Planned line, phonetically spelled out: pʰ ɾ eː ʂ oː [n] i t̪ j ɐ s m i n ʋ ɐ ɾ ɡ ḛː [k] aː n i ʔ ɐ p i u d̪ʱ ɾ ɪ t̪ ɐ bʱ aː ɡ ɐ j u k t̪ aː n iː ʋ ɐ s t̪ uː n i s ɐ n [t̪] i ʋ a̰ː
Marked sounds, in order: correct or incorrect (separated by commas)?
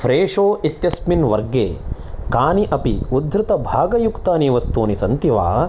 incorrect, correct, correct